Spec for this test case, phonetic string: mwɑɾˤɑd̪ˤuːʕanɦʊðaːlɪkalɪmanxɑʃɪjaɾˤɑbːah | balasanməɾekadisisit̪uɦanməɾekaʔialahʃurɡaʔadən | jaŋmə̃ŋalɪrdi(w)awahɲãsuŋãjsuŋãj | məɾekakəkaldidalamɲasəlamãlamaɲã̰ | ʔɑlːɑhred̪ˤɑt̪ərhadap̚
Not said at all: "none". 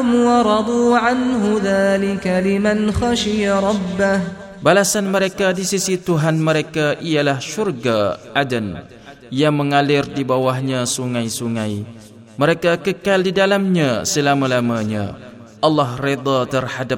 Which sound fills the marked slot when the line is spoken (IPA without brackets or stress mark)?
b